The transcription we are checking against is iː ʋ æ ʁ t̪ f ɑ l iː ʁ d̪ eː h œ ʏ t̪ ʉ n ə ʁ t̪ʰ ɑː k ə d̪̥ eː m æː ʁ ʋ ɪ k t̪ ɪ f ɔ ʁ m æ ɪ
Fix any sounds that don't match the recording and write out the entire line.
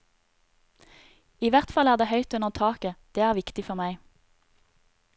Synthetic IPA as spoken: iː ʋ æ ʁ t̪ f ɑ l æː ʁ d̪ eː h œ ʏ t̪ ʉ n ə ʁ t̪ʰ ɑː k ə d̪̥ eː æː ʁ ʋ ɪ k t̪ ɪ f ɔ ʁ m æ ɪ